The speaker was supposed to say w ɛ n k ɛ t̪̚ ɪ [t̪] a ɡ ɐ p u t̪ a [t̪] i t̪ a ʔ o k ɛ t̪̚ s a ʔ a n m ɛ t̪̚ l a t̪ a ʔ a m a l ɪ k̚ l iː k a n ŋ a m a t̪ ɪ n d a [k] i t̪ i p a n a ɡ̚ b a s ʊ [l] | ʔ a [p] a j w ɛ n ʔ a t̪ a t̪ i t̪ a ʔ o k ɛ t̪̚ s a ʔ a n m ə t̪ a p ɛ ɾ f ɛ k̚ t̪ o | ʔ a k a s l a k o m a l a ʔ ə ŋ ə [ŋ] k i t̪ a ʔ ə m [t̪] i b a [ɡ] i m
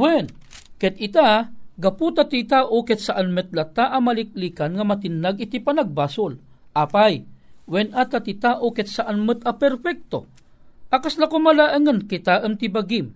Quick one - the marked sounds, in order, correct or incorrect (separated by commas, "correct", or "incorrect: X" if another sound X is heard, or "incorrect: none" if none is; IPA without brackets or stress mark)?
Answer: correct, correct, incorrect: ɡ, correct, correct, incorrect: n, correct, correct